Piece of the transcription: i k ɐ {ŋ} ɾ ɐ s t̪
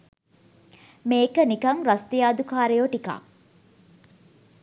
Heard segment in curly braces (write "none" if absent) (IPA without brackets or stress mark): ŋ